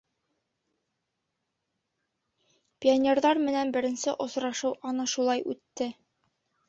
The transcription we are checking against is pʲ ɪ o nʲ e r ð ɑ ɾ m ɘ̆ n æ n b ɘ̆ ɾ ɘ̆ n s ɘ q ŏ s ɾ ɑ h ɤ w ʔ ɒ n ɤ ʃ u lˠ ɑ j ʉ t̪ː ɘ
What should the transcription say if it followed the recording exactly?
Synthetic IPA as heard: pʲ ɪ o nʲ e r ð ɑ ɾ m ɘ̆ n æ n b ɘ̆ ɾ ɘ̆ n s ɘ ʔ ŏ s ɾ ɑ ʃ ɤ w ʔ ɒ n ɤ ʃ u lˠ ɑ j ʉ t̪ː ɘ